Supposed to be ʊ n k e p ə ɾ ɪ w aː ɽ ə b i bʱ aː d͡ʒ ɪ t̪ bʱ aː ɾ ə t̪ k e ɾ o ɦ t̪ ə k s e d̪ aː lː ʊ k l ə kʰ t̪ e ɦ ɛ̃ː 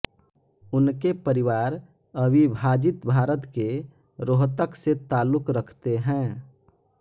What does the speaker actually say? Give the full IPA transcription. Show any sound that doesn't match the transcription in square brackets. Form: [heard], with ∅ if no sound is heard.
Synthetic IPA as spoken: ʊ n k e p ə ɾ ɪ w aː [ɾ] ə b i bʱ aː d͡ʒ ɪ t̪ bʱ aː ɾ ə t̪ k e ɾ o ɦ t̪ ə k s e [t̪] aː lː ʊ k [ɾ] ə kʰ t̪ e ɦ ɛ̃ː